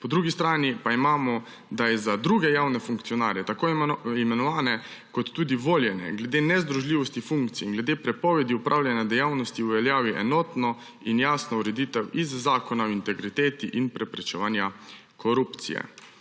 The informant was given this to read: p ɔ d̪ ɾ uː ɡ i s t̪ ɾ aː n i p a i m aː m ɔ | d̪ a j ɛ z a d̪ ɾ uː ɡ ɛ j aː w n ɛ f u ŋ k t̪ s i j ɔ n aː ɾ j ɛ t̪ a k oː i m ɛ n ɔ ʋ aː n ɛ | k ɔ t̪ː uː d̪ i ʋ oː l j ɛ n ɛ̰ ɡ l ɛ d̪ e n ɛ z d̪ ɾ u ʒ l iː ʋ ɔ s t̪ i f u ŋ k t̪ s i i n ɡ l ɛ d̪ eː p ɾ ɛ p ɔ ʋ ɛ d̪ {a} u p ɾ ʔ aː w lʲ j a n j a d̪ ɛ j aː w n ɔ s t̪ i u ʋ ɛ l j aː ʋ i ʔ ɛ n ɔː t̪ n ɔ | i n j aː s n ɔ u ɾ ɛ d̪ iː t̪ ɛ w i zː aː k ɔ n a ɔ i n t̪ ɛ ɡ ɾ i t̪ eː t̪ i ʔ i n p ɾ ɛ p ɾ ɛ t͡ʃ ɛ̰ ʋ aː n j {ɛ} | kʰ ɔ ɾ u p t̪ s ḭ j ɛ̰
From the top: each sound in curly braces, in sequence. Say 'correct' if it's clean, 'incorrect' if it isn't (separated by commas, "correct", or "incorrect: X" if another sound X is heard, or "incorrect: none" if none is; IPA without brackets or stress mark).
incorrect: i, incorrect: a